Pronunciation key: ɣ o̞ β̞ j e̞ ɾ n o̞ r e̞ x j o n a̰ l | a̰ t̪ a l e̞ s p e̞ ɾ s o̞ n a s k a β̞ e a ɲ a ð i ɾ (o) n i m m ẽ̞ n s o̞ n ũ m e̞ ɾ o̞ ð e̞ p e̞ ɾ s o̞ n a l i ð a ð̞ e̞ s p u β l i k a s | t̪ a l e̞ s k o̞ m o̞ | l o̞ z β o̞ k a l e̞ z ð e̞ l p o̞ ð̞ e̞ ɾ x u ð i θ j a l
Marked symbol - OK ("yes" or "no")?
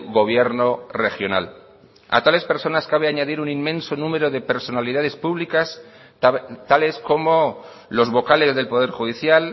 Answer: no